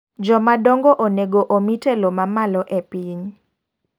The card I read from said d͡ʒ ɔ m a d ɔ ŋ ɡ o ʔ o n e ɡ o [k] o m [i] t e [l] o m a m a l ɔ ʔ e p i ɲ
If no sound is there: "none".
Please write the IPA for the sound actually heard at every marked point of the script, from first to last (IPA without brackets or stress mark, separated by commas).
ʔ, i, l